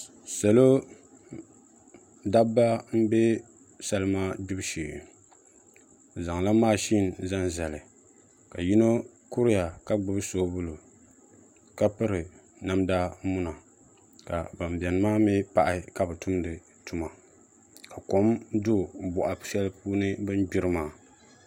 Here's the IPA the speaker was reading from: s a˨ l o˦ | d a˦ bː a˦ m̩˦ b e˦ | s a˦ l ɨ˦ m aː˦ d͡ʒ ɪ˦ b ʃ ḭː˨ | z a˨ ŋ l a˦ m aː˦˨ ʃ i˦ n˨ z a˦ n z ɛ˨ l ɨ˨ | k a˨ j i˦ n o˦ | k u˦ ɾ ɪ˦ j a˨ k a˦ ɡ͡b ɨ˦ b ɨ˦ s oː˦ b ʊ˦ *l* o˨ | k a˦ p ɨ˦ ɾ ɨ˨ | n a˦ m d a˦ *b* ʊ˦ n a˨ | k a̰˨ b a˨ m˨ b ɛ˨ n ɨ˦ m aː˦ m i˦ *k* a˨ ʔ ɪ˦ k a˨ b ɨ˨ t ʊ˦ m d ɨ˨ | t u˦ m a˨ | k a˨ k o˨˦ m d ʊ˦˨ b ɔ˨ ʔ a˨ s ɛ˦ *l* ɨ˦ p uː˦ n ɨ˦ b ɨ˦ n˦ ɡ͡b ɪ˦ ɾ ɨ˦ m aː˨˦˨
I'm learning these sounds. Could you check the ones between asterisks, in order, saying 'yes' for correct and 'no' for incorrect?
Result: yes, no, no, yes

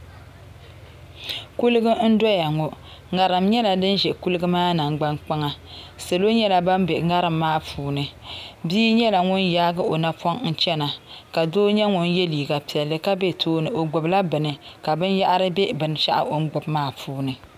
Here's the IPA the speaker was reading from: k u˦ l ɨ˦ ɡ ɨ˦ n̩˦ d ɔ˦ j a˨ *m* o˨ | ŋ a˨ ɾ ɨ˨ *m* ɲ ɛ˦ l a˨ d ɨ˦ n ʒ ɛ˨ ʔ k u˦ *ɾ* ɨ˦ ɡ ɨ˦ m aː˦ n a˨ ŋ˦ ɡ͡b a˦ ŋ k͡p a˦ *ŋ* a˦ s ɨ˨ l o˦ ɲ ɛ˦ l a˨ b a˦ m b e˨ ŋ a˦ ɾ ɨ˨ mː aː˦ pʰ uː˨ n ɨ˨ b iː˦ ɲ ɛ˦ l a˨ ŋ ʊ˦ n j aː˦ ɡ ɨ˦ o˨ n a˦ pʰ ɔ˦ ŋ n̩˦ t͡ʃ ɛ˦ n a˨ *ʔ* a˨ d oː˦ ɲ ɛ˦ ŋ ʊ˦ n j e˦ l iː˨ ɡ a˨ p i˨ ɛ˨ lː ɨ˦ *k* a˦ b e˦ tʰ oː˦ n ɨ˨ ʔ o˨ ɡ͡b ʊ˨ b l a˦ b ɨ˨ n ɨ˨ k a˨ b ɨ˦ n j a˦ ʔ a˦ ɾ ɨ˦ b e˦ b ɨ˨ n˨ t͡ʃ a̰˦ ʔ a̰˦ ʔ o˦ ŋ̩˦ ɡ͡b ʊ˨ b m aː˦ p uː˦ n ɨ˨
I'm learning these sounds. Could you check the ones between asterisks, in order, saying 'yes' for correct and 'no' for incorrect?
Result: no, yes, no, yes, no, yes

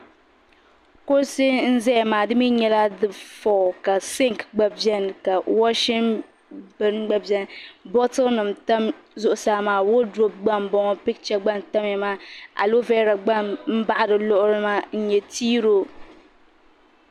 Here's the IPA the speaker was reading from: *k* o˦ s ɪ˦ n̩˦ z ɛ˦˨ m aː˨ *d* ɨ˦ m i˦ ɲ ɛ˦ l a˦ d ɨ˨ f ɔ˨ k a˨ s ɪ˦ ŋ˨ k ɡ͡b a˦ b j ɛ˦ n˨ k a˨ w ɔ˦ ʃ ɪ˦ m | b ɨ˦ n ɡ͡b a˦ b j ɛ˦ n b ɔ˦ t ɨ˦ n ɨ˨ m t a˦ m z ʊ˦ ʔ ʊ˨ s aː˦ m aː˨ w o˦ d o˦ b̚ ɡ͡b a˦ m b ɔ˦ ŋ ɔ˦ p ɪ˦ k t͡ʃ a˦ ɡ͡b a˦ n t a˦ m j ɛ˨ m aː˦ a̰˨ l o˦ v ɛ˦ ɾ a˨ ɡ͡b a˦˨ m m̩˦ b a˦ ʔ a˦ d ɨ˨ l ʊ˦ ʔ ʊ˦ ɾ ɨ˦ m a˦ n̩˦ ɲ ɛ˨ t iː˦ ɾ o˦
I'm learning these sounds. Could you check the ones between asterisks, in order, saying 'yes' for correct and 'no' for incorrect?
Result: yes, yes

